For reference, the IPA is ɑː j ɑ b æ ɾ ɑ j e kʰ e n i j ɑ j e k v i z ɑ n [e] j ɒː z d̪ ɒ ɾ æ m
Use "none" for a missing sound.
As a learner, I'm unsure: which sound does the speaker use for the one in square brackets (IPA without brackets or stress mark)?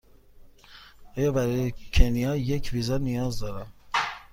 i